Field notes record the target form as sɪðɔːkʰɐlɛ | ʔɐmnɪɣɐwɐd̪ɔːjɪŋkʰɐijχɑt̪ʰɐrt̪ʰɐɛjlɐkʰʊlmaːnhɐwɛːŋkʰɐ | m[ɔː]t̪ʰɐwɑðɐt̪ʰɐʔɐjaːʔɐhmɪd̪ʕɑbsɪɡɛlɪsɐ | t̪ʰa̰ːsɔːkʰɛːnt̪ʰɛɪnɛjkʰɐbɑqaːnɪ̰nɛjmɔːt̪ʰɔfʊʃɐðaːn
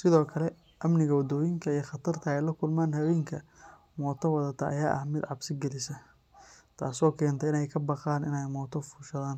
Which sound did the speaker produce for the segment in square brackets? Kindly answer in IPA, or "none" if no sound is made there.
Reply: ɔː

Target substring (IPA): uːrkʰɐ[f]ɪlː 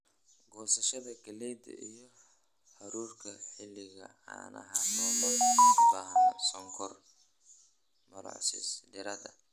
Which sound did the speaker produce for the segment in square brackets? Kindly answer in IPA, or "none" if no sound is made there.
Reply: ħ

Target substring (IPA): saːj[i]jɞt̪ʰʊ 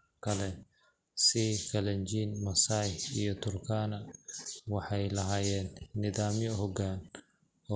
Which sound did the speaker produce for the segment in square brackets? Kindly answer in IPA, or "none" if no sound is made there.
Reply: i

